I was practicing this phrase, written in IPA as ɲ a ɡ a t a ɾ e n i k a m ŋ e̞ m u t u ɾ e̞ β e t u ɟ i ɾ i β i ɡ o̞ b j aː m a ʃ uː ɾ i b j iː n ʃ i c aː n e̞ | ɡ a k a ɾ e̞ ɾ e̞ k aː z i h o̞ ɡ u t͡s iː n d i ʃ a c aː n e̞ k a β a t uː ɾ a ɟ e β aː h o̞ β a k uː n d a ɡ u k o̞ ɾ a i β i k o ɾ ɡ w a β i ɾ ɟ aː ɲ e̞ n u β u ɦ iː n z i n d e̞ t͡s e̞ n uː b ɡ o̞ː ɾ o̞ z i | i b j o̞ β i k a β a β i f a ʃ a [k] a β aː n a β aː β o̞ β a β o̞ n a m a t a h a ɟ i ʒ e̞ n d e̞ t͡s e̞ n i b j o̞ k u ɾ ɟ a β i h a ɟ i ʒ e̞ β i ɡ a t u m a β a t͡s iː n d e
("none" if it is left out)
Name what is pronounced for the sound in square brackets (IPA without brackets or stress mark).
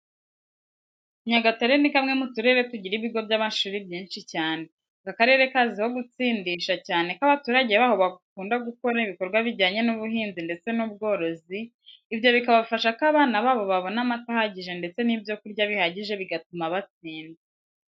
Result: k